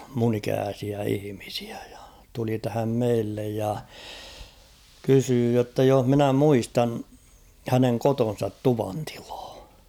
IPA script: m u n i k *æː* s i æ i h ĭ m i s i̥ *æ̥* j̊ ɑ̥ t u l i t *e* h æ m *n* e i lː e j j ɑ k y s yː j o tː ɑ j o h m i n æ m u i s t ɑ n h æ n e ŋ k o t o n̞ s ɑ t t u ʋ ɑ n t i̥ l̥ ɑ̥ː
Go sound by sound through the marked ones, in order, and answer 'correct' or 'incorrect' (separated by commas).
correct, correct, incorrect, incorrect